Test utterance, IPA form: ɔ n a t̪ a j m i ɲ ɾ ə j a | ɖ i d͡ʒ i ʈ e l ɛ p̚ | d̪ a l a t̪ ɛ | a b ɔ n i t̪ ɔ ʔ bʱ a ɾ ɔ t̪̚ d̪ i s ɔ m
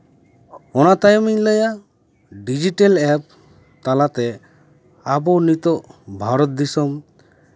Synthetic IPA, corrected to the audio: ɔ n a t̪ a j m i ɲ l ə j a | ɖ i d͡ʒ i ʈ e l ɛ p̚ | t̪ a l a t̪ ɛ | a b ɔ n i t̪ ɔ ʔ bʱ a ɾ ɔ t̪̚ d̪ i s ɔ m